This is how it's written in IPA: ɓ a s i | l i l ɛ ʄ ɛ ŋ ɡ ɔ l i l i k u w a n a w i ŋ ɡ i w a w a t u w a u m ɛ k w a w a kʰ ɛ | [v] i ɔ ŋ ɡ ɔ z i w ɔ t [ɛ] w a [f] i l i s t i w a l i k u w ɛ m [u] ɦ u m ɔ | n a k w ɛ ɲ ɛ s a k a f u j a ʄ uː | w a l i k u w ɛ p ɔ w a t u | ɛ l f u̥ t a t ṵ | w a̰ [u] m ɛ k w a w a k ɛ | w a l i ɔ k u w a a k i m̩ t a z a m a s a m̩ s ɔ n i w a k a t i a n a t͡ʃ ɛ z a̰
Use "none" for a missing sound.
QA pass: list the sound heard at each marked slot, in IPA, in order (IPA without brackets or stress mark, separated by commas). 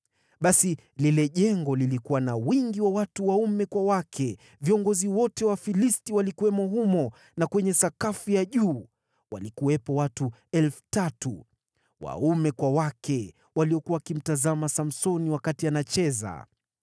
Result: v, ɛ, f, ɔ, u